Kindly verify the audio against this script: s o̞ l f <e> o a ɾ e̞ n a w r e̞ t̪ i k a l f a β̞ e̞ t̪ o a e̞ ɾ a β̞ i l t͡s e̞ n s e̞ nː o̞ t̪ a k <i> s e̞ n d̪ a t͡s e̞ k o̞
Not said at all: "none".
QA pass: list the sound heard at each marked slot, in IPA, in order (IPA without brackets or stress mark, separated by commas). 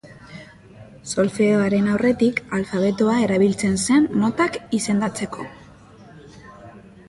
e, i